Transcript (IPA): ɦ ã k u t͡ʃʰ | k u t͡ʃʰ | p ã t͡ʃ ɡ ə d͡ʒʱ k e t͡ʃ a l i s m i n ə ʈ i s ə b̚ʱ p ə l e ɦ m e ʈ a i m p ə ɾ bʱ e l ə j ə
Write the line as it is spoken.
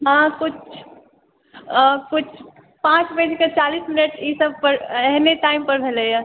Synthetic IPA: ɦ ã k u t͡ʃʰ | k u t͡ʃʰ | p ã t͡ʃ b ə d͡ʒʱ k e t͡ʃ a l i s m i n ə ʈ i s ə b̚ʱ p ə ɾ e ɦ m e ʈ a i m p ə ɾ bʱ e l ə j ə

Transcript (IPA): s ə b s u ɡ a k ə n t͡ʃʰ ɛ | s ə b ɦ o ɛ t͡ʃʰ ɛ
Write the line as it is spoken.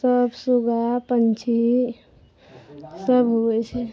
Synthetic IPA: s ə b s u ɡ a p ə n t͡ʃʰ i | s ə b ɦ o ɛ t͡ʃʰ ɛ

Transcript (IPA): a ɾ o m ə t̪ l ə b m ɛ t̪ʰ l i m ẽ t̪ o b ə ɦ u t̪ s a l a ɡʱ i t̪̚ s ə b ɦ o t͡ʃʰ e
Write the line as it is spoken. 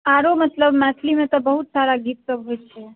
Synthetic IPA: a ɾ o m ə t̪ l ə b m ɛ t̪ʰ l i m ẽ t̪ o b ə ɦ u t̪ s a ɾ a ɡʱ i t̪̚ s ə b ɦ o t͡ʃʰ e

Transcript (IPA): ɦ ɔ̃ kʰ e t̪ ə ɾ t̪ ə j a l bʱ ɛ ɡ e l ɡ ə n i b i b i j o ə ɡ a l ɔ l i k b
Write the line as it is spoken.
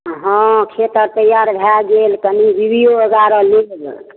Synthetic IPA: ɦ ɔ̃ kʰ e t̪ ə ɾ t̪ ə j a ɾ bʱ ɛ ɡ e l k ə n i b i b i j o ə ɡ a ɾ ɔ l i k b

